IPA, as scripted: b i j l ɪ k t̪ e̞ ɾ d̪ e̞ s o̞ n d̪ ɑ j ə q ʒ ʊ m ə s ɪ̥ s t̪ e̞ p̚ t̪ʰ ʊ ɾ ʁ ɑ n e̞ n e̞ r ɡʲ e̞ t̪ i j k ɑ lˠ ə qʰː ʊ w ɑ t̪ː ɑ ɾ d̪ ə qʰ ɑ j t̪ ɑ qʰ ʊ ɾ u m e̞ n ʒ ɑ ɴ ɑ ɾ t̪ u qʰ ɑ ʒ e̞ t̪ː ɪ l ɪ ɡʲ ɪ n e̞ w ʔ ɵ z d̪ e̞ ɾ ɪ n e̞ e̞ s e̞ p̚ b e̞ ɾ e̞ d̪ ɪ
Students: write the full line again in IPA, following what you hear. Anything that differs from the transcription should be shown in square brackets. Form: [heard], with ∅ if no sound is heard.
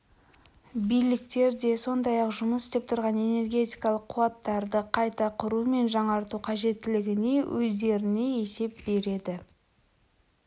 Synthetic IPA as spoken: b i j l ɪ k t̪ e̞ ɾ d̪ e̞ s o̞ n d̪ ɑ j [ɑ] q ʒ ʊ m ə s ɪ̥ s t̪ e̞ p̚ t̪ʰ ʊ ɾ ʁ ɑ n e̞ n e̞ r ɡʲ e̞ t̪ i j k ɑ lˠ ə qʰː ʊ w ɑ t̪ː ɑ ɾ d̪ ə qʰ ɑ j t̪ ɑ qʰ ʊ ɾ u m e̞ n ʒ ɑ ɴ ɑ ɾ t̪ u qʰ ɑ ʒ e̞ t̪ː ɪ l ɪ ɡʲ ɪ n e̞ w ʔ ɵ z d̪ e̞ ɾ ɪ n e̞ e̞ s e̞ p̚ b e̞ ɾ e̞ d̪ ɪ